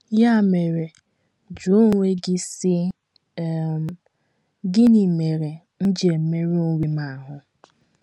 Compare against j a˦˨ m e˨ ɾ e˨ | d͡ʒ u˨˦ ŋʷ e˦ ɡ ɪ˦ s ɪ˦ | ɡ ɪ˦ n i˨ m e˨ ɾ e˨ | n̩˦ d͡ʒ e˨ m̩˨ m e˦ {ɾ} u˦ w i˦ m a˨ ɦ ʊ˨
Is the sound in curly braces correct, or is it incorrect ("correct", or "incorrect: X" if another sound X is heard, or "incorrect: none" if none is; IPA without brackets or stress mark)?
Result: correct